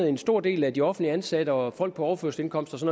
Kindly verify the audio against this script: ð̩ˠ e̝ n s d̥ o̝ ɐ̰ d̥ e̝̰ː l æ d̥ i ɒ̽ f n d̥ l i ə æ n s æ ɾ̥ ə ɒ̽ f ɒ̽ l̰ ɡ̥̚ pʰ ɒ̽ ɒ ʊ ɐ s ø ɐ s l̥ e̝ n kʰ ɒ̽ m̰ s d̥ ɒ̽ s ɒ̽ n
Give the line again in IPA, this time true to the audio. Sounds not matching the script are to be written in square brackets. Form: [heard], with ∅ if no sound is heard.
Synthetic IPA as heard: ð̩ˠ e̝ n s d̥ o̝ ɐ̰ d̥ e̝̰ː l æ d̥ i ɒ̽ f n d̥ l i ə æ n s æ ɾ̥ ə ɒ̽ f ɒ̽ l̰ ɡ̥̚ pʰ ɒ̽ ɒ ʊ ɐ [f] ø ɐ s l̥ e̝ n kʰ ɒ̽ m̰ s d̥ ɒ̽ s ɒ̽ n

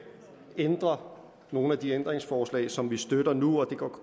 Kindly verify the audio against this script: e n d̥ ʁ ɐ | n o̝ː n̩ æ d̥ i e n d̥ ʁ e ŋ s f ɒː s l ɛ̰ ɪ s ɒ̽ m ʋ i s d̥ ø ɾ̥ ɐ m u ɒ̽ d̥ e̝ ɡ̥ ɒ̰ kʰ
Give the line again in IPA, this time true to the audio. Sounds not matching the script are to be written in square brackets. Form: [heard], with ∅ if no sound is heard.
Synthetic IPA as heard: e n d̥ ʁ ɐ | n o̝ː n̩ æ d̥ i e n d̥ ʁ e ŋ s f ɒː s l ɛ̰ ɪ s ɒ̽ m ʋ i s d̥ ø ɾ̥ ɐ [n] u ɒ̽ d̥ e̝ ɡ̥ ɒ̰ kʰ

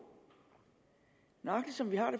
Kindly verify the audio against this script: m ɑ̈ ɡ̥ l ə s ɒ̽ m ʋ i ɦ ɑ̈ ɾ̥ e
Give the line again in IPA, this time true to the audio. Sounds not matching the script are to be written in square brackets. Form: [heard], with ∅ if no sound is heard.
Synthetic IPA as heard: [n] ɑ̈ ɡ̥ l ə s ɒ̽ m ʋ i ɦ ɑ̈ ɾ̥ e

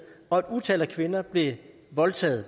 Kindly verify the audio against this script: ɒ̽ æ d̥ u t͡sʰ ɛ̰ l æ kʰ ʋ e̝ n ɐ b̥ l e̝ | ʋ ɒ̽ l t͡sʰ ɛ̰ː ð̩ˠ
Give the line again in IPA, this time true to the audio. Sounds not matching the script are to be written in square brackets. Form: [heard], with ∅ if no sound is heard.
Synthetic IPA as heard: ɒ̽ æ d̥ u t͡sʰ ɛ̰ l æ kʰ ʋ e̝ n ɐ b̥ l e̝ | ʋ ɒ̽ l t͡sʰ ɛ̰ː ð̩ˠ

